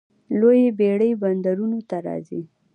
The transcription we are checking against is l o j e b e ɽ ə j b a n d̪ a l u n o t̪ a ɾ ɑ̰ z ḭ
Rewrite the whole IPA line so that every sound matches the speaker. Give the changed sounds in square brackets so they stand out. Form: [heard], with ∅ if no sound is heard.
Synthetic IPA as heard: l o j e b e ɽ ə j b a n d̪ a [ɾ] u n o t̪ a ɾ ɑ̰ z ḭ